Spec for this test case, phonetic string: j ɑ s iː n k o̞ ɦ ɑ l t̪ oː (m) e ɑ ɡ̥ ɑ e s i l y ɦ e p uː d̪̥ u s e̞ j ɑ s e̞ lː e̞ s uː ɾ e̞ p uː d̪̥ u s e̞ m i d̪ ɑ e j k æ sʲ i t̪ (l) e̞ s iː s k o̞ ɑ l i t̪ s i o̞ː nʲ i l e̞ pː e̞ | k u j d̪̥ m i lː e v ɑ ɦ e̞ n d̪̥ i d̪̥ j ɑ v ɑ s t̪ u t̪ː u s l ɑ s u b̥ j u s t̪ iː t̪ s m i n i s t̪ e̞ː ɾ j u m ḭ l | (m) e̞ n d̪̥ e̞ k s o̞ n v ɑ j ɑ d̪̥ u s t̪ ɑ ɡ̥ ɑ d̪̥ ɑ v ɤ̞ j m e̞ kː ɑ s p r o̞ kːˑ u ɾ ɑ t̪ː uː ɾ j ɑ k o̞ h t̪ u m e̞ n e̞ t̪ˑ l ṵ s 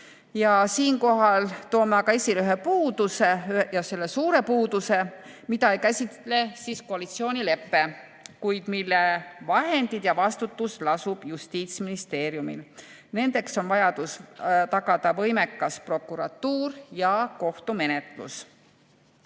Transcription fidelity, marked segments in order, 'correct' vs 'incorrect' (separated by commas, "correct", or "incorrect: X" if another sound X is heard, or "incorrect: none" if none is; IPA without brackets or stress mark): correct, correct, incorrect: n